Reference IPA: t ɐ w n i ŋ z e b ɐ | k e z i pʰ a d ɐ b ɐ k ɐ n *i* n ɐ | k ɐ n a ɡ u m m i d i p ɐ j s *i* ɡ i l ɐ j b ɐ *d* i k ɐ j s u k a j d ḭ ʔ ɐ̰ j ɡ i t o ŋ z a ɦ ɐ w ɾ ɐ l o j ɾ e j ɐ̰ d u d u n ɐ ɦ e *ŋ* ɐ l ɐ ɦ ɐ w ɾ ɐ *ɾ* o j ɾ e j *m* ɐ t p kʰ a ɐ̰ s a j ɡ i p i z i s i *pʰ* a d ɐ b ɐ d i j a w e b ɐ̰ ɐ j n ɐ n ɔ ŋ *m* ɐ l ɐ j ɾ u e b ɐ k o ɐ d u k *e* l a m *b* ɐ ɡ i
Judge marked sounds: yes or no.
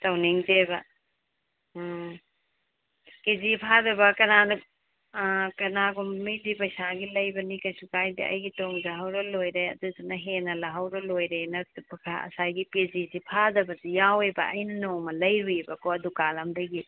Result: no, no, no, no, no, no, yes, yes, no, no

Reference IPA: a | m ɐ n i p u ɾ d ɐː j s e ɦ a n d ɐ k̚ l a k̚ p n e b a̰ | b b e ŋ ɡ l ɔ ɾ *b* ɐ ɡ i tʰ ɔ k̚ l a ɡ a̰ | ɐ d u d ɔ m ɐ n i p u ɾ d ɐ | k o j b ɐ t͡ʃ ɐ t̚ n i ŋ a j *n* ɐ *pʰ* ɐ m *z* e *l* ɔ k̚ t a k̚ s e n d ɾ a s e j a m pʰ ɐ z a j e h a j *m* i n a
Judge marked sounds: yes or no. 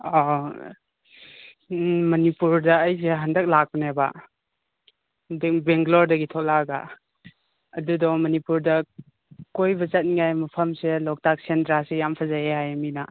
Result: no, no, yes, no, yes, yes

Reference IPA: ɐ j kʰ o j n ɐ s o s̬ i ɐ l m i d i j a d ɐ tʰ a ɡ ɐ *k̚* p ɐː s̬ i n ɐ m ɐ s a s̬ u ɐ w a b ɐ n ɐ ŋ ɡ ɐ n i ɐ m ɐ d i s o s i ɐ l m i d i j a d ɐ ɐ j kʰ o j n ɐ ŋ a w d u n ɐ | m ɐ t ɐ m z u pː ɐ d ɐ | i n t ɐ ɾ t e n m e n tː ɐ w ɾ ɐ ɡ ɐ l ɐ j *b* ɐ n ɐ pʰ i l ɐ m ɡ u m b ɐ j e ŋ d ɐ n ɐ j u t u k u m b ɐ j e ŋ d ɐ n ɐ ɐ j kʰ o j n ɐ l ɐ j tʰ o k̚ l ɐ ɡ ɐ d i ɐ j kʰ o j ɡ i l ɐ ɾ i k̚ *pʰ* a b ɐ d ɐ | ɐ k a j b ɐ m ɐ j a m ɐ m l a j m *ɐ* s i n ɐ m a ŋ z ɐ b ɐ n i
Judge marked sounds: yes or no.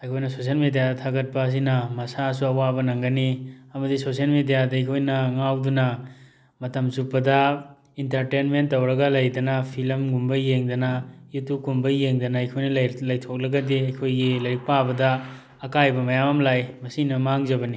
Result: no, no, no, yes

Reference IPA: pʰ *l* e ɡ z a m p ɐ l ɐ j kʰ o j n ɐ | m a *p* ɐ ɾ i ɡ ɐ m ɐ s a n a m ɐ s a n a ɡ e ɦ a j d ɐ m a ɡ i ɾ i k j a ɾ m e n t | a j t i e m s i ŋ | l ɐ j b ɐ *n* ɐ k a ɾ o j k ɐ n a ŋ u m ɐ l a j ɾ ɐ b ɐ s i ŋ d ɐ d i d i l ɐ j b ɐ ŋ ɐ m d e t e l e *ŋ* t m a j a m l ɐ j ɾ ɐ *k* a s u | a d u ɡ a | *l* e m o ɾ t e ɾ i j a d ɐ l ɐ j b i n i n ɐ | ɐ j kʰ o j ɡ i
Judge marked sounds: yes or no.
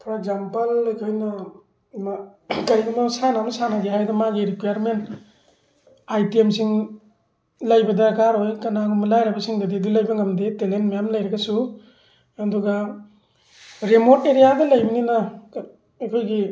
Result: no, no, no, no, no, no

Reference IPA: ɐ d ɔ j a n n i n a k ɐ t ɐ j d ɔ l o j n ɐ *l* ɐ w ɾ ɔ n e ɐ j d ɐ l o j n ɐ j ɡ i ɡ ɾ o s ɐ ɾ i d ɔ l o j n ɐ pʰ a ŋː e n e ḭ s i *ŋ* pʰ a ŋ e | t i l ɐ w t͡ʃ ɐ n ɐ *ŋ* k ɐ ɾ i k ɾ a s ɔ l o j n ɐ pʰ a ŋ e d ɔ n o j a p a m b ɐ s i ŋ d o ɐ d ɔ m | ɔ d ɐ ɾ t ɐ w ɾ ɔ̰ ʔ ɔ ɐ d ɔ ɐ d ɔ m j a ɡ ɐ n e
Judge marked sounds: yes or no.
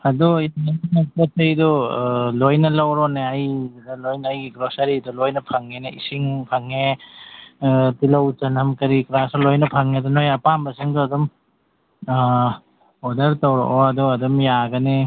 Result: yes, yes, no

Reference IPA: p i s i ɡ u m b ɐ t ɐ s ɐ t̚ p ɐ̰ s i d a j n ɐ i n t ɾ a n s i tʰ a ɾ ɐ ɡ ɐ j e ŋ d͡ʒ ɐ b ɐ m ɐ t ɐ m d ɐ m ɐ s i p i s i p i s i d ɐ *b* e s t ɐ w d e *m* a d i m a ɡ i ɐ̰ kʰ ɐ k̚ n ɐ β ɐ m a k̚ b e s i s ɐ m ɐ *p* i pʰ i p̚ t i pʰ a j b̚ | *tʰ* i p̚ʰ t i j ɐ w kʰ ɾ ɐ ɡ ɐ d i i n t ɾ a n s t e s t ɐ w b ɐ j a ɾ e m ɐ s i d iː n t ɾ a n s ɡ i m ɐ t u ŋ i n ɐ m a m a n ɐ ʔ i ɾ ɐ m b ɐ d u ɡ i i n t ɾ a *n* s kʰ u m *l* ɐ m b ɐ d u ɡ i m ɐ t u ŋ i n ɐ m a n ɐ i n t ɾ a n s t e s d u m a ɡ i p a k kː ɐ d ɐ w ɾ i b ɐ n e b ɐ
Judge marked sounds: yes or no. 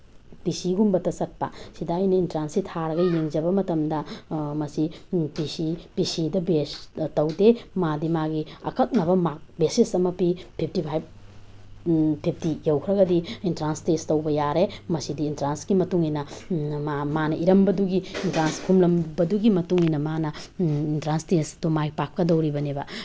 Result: yes, yes, yes, no, yes, yes

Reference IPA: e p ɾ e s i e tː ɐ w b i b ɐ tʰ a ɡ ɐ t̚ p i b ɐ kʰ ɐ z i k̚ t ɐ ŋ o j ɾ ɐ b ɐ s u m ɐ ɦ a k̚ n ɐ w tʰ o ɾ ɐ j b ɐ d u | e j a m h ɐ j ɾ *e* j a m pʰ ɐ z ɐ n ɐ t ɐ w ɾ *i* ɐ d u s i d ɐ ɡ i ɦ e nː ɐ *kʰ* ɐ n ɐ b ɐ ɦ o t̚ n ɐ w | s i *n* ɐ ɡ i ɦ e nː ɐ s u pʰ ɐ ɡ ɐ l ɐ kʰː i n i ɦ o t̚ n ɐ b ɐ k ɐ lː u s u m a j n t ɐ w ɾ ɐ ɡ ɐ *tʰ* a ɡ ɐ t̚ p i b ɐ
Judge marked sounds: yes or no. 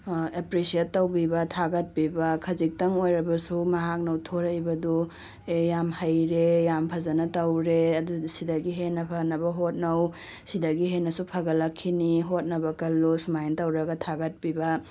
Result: yes, no, no, no, yes

